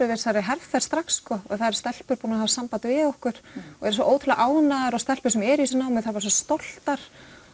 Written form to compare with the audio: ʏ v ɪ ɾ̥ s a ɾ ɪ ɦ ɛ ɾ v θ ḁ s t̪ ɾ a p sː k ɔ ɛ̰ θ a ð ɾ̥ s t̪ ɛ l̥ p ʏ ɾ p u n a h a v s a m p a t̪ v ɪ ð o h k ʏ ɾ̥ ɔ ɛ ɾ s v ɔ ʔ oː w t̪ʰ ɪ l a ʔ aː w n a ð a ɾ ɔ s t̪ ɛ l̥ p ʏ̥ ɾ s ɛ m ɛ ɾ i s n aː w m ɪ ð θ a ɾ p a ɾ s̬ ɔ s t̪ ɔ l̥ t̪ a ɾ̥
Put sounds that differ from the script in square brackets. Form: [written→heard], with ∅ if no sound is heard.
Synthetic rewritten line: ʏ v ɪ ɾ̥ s a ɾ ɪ ɦ ɛ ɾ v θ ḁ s t̪ ɾ a [p→k] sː k ɔ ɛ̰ θ a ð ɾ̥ s t̪ ɛ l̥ p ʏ ɾ p u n a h a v s a m p a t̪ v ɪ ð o h k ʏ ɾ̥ ɔ ɛ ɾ s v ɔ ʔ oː w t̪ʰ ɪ l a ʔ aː w n a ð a ɾ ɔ s t̪ ɛ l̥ p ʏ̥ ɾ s ɛ m ɛ ɾ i s n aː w m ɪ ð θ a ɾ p a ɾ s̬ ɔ s t̪ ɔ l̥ t̪ a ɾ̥

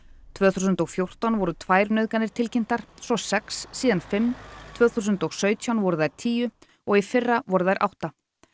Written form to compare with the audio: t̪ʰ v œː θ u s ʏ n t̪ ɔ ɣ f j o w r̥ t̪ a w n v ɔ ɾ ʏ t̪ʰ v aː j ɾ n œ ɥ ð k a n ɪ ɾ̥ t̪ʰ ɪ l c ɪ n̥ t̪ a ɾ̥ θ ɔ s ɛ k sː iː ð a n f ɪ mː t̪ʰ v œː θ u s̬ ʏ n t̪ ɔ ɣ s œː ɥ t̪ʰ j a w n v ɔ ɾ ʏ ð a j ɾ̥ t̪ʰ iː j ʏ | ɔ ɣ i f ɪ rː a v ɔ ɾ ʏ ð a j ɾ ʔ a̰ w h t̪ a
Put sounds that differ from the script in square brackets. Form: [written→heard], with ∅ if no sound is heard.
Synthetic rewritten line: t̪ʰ v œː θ u s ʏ n t̪ ɔ ɣ f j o w r̥ t̪ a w n v ɔ ɾ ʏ t̪ʰ v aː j ɾ n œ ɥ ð k a n ɪ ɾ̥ t̪ʰ ɪ l c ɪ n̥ t̪ a ɾ̥ [θ→s] ɔ s ɛ k sː iː ð a n f ɪ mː t̪ʰ v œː θ u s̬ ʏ n t̪ ɔ ɣ s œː ɥ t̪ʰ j a w n v ɔ ɾ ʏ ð a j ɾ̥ t̪ʰ iː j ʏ | ɔ ɣ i f ɪ rː a v ɔ ɾ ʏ ð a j ɾ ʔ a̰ w h t̪ a

